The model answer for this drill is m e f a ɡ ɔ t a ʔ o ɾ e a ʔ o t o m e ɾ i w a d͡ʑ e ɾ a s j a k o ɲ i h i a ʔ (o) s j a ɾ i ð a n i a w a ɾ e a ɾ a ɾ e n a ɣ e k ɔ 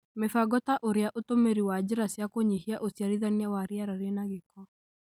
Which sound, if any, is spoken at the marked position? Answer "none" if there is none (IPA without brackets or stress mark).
o